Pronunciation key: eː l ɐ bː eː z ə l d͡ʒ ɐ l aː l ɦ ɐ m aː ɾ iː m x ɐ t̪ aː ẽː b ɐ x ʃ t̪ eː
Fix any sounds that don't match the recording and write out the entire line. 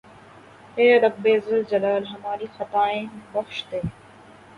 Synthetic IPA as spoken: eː ɾ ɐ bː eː z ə l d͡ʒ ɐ l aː l ɦ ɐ m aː ɾ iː x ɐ t̪ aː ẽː b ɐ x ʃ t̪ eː